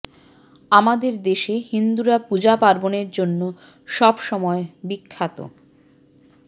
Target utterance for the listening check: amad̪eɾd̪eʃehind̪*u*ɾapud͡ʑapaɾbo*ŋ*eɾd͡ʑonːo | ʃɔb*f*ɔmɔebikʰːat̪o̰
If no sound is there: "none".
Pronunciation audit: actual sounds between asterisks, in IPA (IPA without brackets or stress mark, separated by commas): u, n, ʃ